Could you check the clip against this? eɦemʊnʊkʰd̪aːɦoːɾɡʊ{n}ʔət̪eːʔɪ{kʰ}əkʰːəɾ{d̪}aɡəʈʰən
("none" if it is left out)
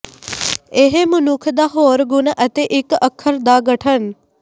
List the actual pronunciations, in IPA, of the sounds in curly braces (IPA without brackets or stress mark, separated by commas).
n, k, d̪